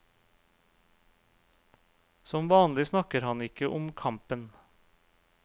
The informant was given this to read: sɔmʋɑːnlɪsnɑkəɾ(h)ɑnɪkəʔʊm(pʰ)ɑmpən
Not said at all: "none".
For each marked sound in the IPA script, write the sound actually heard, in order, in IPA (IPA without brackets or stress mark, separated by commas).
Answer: h, kʰ